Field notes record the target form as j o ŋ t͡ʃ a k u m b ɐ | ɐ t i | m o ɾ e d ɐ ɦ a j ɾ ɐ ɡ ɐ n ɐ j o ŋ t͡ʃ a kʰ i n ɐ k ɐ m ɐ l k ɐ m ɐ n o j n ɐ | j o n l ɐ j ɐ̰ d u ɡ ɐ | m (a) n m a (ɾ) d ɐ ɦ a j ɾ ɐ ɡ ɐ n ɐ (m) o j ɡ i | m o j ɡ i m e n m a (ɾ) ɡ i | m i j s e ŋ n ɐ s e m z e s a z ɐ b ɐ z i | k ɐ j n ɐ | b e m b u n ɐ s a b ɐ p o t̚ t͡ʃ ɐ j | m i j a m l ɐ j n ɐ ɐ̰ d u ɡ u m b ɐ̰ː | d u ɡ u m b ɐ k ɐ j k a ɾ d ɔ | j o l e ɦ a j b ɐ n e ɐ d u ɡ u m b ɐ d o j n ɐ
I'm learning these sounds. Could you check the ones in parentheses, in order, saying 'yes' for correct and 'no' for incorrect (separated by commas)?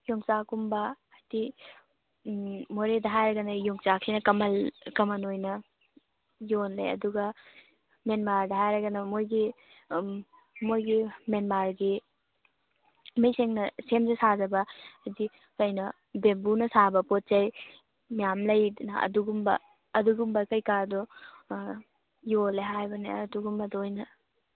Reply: no, yes, yes, yes